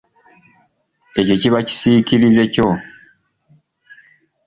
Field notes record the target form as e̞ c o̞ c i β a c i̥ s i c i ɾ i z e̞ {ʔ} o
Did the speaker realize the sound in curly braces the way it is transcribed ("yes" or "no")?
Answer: no